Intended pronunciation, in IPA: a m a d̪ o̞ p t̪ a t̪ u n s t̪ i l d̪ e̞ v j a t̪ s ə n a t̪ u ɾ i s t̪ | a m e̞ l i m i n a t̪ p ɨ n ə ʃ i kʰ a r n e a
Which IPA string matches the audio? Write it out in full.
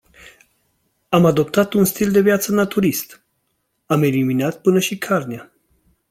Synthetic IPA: a m a d̪ o̞ p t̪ a t̪ u n s t̪ i l d̪ e̞ v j a t̪ s ə n a t̪ u ɾ i s t̪ | a m e̞ l i m i n a t̪ p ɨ n ə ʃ i kʰ a r n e a

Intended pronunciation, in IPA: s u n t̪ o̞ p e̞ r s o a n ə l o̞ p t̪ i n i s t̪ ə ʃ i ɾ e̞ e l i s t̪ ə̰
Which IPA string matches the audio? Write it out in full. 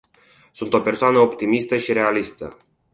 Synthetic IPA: s u n t̪ o̞ p e̞ r s o a n ə o̞ p t̪ i m i s t̪ ə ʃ i ɾ e̞ a l i s t̪ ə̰

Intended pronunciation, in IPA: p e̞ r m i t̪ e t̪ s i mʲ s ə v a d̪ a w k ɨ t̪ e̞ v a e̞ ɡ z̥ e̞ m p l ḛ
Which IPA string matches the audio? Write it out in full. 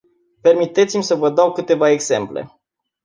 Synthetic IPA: p e̞ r m i t̪ e t̪ s i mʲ s ə v ə d̪ a w k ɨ t̪ e̞ v a e̞ ɡ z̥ e̞ m p l ḛ

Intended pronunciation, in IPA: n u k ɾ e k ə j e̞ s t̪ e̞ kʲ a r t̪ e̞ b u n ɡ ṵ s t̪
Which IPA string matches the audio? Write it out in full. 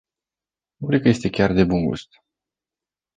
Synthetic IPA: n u k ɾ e k ə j e̞ s t̪ e̞ kʲ a r d̪ e̞ b u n ɡ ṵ s t̪

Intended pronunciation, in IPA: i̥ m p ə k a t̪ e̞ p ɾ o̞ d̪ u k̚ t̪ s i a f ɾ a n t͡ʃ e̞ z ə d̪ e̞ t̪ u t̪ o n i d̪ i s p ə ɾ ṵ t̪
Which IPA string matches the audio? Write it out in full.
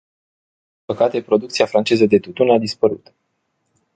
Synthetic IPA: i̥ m p ə k a t̪ e̞ p ɾ o̞ d̪ u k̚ t̪ s i a f ɾ a n t͡ʃ e̞ z ə d̪ e̞ t̪ u t̪ u n a d̪ i s p ə ɾ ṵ t̪

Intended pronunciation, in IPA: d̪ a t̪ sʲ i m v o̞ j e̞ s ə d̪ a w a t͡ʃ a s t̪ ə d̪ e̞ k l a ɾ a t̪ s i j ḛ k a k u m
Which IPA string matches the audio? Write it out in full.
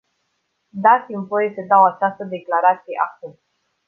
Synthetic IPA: d̪ a t̪ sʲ i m v o̞ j e̞ s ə d̪ a w a t͡ʃ a s t̪ ə d̪ e̞ k l a ɾ a t̪ s i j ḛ ʔ a k u m

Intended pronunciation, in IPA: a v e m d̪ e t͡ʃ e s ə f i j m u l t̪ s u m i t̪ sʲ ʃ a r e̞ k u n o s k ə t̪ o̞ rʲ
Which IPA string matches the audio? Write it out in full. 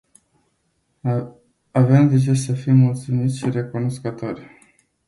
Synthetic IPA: a v e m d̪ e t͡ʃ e s ə f i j m u l t̪ s u m i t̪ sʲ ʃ i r e̞ k u n o s k ə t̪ o̞ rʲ

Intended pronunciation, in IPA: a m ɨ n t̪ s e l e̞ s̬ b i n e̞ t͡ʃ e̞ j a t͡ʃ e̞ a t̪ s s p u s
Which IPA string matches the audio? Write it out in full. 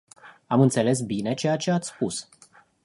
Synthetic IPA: a m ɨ n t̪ s e l e̞ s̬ b i n e̞ t͡ʃ e̞ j a t͡ʃ e̞ a t̪ s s p u s

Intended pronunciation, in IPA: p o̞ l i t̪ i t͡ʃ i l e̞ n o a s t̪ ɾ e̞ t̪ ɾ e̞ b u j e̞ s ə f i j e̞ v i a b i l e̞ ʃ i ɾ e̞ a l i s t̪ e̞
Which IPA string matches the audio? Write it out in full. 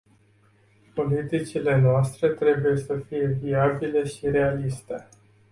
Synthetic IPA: p o̞ l i t̪ i t͡ʃ i l e̞ n o a s t̪ ɾ e̞ t̪ ɾ e̞ b u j e̞ s ə f i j e̞ v i a b i l e̞ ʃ i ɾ e̞ a l i s t̪ e̞

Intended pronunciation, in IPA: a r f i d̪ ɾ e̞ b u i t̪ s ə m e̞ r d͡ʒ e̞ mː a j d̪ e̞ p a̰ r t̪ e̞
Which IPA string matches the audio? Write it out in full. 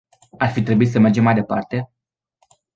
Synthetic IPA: a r f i t̪ ɾ e̞ b u i t̪ s ə m e̞ r d͡ʒ e̞ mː a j d̪ e̞ p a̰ r t̪ e̞

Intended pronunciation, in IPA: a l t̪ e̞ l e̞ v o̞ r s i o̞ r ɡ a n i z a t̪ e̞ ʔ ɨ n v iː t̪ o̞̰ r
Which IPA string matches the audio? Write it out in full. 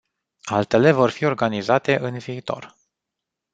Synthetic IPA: a l t̪ e̞ l e̞ v o̞ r f i o̞ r ɡ a n i z a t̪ e̞ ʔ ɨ n v iː t̪ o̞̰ r

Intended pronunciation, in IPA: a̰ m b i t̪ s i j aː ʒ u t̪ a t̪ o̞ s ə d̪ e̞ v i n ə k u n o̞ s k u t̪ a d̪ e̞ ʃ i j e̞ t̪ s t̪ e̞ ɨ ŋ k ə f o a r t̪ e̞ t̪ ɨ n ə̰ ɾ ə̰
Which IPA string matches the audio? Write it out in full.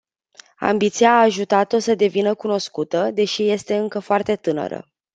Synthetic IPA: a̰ m b i t̪ s i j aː ʒ u t̪ a t̪ o̞ s ə d̪ e̞ v i n ə k u n o̞ s k u t̪ ə d̪ e̞ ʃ i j e̞ s t̪ e̞ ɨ ŋ k ə f o a r t̪ e̞ t̪ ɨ n ə̰ ɾ ə̰

